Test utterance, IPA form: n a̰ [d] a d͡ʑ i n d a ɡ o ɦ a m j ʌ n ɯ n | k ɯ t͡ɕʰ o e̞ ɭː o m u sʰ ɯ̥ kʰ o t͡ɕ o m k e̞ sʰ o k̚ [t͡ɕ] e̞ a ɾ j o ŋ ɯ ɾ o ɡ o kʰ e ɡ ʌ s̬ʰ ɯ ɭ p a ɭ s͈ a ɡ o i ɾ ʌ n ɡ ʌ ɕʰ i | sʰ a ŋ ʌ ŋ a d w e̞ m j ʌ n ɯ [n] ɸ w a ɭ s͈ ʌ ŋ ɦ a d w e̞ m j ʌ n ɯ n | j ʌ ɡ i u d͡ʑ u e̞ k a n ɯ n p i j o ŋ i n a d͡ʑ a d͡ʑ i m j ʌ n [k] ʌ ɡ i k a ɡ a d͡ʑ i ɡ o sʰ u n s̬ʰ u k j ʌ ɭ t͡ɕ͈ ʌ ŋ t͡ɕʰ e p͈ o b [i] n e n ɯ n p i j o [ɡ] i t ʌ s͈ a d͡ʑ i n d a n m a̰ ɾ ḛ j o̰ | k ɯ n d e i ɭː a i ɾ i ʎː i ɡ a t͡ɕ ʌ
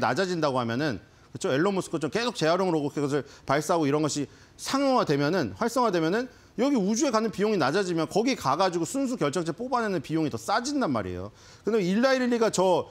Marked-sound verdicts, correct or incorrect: incorrect: d͡ʑ, correct, correct, correct, incorrect: a, incorrect: ŋ

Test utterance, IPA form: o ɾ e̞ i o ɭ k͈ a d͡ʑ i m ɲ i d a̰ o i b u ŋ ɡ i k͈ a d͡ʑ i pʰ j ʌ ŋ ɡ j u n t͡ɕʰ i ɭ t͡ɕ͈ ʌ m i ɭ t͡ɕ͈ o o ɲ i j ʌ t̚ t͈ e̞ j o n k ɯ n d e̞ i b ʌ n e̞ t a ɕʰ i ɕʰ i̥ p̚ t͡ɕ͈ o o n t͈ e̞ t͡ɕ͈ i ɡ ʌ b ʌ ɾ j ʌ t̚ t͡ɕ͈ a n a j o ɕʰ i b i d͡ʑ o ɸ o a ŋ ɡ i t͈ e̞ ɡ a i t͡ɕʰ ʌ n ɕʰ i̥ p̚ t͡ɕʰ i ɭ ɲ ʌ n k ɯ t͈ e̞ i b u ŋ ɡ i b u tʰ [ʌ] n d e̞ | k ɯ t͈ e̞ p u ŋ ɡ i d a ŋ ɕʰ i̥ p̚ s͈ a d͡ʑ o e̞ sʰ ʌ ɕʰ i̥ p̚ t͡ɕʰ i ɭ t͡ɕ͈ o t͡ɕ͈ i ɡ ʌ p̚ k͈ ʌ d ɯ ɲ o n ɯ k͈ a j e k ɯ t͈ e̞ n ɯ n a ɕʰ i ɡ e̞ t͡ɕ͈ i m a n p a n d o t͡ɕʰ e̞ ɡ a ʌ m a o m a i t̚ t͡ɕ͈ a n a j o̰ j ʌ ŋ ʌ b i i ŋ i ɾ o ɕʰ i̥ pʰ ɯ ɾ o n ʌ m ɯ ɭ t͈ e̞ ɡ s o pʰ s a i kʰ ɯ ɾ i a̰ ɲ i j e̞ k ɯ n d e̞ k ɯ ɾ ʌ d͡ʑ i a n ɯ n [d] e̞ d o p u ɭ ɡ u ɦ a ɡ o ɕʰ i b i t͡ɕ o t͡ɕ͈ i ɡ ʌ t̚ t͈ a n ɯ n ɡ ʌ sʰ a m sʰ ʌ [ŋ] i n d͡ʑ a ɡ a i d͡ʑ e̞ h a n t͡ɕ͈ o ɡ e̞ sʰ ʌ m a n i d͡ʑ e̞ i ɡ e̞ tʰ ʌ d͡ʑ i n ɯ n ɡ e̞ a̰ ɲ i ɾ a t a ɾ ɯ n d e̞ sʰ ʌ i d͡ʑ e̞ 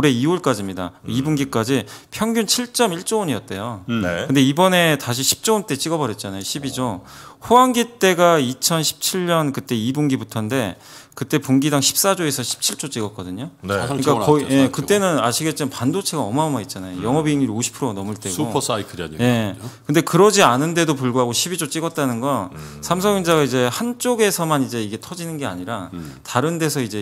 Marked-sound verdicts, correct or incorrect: correct, correct, correct

